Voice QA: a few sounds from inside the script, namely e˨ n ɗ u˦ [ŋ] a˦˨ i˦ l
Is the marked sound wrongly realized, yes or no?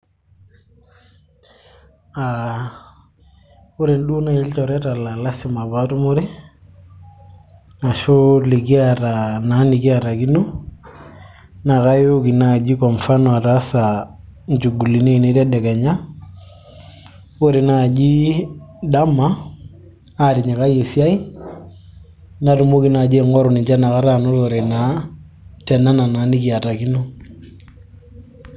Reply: yes